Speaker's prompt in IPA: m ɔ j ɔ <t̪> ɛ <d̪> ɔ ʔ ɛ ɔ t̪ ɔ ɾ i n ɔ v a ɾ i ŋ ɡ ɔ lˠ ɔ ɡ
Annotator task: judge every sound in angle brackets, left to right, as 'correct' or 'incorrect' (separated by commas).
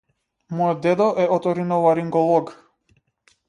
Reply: incorrect, correct